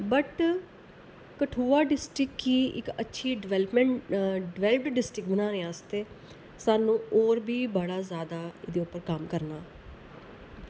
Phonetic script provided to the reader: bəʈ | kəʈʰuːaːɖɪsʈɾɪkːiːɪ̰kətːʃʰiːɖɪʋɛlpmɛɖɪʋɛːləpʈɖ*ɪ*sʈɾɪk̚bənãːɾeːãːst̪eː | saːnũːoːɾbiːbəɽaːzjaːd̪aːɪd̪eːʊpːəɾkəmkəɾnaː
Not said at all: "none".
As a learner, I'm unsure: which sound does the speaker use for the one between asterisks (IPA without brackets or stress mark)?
ɪ